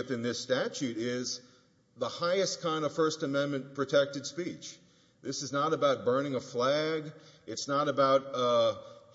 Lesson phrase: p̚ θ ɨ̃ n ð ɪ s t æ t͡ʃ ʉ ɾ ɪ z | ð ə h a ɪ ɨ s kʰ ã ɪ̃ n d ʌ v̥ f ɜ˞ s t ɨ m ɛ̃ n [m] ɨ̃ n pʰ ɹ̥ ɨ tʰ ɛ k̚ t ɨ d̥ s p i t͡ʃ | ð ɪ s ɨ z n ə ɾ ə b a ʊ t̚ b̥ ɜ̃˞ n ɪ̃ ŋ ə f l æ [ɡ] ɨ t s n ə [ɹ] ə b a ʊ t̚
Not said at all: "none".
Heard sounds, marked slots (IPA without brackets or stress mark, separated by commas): m, ɡ, ɾ